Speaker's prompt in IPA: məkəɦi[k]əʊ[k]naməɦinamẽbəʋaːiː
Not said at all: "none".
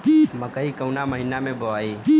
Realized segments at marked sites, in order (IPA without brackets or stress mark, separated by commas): k, none